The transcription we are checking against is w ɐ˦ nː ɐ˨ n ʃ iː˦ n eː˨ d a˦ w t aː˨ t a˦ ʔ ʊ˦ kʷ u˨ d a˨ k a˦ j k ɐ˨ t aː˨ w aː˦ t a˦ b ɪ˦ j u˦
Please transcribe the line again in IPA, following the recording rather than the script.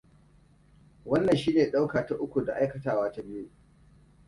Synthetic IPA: w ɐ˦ nː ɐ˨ n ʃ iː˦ n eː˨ ɗ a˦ w k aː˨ t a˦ ʔ ʊ˦ kʷ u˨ d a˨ ʔ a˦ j k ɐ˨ t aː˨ w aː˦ t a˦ b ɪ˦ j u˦